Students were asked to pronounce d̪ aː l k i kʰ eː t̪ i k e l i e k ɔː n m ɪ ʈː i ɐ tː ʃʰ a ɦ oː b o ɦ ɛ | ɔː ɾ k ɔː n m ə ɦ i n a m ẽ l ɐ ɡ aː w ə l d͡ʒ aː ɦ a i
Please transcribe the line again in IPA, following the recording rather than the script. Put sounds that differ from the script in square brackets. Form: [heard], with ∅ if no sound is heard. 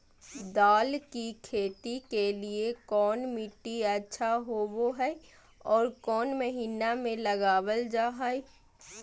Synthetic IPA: d̪ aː l k i kʰ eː t̪ i k e l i e k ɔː n m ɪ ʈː i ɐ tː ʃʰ a ɦ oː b o ɦ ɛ | ɔː ɾ k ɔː n m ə ɦ [iː] n a m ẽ l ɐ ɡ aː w ə l d͡ʒ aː ɦ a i